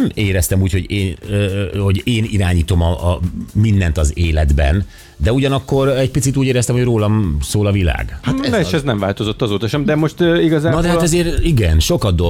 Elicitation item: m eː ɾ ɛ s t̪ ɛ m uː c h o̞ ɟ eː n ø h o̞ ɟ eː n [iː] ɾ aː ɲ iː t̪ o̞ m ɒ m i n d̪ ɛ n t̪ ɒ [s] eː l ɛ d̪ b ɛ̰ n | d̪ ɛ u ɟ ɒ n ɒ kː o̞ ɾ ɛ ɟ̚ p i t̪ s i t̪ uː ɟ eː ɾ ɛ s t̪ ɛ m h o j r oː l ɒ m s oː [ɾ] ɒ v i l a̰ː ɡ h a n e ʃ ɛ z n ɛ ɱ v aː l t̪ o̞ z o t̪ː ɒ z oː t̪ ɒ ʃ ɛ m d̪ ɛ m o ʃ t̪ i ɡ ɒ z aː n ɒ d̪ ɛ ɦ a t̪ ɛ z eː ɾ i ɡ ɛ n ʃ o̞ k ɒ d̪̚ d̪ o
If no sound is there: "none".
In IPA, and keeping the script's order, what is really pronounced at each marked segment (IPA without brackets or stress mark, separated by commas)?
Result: i, z, l